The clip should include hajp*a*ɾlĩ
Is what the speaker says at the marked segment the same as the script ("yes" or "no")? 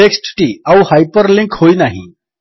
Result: no